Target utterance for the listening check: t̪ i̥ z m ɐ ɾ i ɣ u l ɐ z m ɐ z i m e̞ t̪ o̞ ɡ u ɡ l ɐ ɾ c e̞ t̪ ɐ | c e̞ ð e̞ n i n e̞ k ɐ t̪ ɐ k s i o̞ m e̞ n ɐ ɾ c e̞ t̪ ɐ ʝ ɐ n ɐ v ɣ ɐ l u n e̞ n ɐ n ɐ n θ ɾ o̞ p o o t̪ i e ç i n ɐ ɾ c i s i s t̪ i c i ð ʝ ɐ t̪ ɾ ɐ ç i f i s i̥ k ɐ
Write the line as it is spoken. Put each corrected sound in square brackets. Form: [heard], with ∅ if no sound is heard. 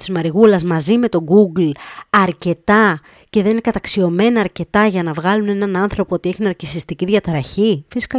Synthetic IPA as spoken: t̪ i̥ z m ɐ ɾ i ɣ u l ɐ z m ɐ z i m e̞ t̪ o̞ ɡ u ɡ l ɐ ɾ c e̞ t̪ ɐ | c e̞ ð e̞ n i n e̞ k ɐ t̪ ɐ k s i o̞ m e̞ n [ɐː] ɾ c e̞ t̪ ɐ ʝ ɐ n ɐ v ɣ ɐ l u n e̞ n ɐ n ɐ n θ ɾ o̞ p o o t̪ i e ç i n ɐ ɾ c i s i s t̪ i c i ð ʝ ɐ t̪ ɾ ɐ ç i f i s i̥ k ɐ